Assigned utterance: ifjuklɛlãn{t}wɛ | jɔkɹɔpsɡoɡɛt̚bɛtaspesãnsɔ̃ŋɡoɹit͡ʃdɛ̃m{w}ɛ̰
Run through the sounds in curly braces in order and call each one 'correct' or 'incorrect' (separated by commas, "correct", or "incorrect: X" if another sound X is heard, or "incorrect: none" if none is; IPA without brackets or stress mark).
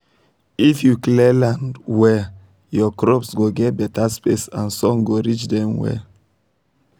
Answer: incorrect: d, correct